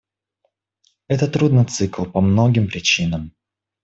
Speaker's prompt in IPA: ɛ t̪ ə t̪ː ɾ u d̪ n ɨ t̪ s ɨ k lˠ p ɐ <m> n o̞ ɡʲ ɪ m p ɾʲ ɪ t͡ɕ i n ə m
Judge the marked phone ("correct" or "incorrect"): correct